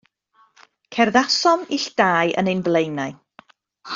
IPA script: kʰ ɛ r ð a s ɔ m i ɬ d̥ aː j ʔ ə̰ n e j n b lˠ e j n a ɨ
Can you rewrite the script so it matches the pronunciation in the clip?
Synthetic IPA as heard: kʰ ɛ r ð a s ɔ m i ɬ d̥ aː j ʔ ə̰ n e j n b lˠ e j n a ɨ